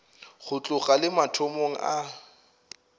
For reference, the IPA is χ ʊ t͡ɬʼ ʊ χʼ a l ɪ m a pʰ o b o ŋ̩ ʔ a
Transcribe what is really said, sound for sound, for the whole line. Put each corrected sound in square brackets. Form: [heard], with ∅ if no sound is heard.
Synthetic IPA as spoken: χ ʊ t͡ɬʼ ʊ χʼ a l ɪ m a [tʰ] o [m] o ŋ̩ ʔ a